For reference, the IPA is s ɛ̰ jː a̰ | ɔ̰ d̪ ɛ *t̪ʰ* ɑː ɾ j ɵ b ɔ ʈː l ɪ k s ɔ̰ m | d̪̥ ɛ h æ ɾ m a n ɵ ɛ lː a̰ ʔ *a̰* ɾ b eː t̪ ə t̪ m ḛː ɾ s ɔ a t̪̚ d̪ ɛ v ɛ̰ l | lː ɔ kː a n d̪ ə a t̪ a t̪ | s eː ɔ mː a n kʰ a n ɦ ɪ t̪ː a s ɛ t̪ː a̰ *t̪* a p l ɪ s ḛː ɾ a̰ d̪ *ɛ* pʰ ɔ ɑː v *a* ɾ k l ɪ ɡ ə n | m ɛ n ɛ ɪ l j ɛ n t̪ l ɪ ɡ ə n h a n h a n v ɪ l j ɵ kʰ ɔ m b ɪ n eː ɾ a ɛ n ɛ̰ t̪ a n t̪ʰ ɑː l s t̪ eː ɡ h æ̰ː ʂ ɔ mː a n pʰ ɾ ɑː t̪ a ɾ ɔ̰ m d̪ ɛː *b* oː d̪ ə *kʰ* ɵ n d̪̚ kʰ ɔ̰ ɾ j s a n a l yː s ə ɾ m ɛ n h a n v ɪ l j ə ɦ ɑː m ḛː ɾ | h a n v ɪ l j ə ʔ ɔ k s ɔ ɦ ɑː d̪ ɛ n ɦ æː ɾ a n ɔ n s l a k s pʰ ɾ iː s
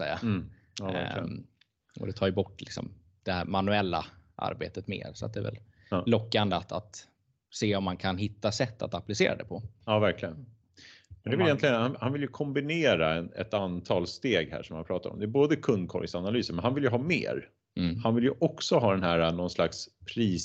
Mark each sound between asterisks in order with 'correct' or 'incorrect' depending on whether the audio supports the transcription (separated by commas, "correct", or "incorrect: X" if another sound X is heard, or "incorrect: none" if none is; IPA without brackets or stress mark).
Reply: correct, correct, correct, correct, incorrect: æ, correct, correct